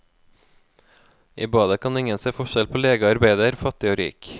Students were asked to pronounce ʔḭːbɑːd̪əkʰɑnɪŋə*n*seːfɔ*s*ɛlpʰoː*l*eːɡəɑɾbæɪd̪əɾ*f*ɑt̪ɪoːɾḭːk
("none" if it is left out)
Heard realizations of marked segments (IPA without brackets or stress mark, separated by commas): n, ʃ, l, f